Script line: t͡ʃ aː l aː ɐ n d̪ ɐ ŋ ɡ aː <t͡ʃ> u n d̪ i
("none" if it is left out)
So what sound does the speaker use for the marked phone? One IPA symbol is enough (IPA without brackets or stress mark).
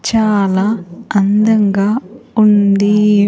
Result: none